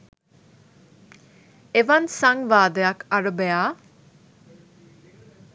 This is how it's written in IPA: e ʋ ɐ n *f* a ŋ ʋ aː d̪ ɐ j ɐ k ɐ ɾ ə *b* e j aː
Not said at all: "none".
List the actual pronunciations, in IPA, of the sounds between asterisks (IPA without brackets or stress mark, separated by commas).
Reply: s, b